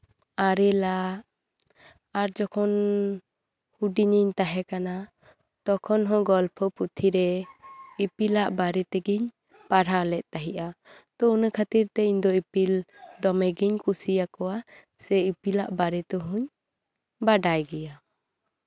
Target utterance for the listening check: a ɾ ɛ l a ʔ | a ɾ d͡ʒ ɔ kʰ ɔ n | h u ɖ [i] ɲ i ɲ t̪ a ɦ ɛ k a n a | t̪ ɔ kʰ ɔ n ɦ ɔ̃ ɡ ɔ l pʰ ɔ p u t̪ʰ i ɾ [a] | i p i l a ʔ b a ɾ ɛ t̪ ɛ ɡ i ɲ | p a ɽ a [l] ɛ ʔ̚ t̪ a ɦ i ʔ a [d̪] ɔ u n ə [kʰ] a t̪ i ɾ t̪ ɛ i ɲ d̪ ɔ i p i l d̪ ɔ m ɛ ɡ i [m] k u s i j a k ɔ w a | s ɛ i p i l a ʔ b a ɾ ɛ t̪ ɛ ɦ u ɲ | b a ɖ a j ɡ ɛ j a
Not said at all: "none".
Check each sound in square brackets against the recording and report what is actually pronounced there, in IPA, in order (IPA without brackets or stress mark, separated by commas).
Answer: i, ɛ, l, t̪, kʰ, ɲ